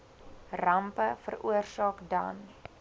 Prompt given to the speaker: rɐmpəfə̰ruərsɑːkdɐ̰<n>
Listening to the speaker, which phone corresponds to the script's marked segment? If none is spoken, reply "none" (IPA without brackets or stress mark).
n